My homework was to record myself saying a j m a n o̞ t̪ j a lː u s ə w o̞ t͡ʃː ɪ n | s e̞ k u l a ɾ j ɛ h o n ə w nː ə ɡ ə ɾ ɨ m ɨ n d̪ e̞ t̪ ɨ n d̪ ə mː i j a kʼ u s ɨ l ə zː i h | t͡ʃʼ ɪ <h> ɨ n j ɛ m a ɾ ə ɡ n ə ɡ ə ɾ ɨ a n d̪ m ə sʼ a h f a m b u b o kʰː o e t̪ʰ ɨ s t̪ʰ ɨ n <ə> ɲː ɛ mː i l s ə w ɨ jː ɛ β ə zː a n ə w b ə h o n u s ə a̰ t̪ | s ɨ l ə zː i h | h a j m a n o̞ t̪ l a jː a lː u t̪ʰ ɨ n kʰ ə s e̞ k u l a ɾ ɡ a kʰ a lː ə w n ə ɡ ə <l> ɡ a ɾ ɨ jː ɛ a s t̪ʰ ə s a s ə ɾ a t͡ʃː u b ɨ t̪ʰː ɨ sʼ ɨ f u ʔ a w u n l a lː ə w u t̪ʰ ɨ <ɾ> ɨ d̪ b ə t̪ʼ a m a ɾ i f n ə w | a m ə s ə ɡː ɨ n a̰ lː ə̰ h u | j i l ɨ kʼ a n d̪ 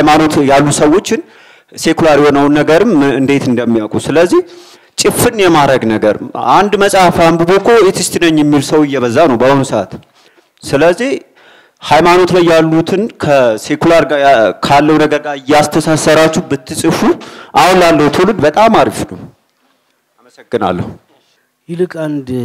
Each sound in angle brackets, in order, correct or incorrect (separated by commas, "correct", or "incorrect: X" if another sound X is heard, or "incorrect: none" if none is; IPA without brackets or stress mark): incorrect: f, correct, incorrect: ɾ, incorrect: l